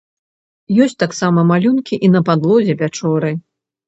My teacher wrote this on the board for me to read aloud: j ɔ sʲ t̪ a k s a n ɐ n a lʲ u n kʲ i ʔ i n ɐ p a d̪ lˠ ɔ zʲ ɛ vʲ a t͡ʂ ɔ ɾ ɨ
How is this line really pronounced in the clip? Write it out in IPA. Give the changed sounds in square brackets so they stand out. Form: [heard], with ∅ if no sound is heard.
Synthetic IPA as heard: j ɔ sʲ t̪ a k s a [m] ɐ [m] a lʲ u n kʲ i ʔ i n ɐ p a d̪ lˠ ɔ zʲ ɛ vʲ a t͡ʂ ɔ ɾ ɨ